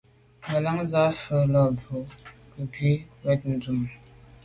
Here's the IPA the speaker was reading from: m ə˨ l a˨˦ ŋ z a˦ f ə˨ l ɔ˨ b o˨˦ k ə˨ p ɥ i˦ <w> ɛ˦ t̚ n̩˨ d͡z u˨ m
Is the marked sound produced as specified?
yes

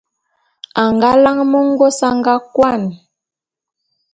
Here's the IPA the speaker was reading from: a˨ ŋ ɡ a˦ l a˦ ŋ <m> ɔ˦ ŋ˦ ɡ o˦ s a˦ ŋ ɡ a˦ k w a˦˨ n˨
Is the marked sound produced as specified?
yes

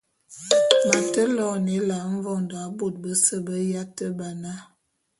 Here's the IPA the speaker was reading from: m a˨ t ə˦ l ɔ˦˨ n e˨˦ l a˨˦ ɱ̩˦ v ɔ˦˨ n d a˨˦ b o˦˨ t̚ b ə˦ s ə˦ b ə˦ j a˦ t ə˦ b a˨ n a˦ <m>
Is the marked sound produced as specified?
no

